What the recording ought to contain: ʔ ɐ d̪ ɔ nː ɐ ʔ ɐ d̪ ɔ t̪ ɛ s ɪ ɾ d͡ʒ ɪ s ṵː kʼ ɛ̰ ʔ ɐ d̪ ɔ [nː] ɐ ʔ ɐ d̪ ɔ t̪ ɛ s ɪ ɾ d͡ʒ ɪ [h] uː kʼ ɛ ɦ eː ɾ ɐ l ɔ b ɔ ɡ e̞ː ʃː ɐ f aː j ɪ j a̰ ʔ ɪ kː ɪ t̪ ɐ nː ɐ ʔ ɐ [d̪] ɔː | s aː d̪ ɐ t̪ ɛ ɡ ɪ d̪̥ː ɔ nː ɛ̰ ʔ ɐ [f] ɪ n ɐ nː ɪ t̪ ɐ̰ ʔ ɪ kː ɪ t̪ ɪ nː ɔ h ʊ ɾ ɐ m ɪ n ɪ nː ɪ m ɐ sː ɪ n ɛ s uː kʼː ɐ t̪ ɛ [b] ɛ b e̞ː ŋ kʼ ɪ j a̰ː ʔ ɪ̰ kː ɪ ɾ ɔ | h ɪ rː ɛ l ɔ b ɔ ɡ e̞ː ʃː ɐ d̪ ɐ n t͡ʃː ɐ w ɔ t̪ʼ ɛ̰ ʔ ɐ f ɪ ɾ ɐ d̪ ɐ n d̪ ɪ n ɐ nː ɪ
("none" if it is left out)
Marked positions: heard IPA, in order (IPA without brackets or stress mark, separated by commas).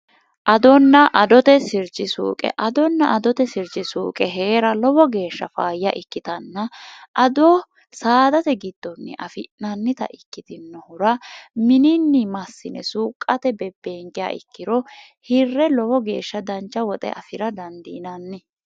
nː, s, d̪, f, b